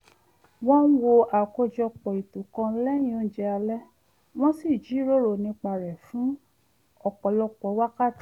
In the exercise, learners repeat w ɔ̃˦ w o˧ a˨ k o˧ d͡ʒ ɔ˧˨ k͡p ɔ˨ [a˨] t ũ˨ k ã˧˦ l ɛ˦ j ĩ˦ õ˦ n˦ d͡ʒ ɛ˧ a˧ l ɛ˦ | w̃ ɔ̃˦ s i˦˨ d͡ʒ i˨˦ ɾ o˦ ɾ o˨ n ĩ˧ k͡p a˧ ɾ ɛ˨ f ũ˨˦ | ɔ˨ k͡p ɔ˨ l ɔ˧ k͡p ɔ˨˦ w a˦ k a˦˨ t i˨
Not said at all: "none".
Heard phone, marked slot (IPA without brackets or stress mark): i˨